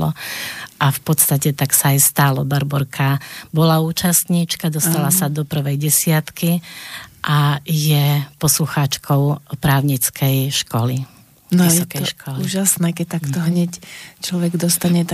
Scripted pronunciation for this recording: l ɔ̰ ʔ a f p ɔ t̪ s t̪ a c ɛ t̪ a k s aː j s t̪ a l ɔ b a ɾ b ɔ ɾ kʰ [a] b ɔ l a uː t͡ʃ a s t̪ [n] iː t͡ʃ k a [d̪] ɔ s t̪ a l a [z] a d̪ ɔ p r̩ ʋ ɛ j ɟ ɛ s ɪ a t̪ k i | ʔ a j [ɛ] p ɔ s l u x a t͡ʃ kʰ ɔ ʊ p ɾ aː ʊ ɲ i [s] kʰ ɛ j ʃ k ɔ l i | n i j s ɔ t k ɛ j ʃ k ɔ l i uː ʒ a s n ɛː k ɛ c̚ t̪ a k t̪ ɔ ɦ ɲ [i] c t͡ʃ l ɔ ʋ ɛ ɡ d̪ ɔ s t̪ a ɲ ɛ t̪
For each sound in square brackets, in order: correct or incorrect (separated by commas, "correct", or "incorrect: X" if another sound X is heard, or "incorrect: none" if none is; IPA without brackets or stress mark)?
correct, incorrect: ɲ, correct, incorrect: s, correct, incorrect: t͡s, incorrect: ɛ